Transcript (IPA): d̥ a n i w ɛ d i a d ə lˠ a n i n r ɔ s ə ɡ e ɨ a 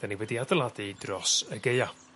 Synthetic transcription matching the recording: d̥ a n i w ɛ d i a d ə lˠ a d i d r ɔ s ə ɡ e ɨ a